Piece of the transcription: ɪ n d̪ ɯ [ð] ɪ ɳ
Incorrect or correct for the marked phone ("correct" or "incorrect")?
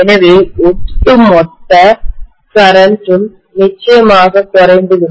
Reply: incorrect